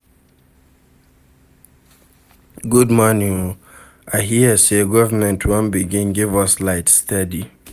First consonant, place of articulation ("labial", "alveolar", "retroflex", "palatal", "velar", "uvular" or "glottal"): velar